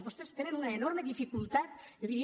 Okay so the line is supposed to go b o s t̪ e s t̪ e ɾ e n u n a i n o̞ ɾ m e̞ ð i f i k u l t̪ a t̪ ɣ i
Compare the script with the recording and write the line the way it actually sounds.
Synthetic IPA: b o s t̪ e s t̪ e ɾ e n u n a e n o̞ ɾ m e̞ ð i f i k u l t̪ a t̪ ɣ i